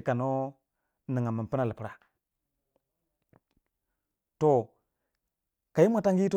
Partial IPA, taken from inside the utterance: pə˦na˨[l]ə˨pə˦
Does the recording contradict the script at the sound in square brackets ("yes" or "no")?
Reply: no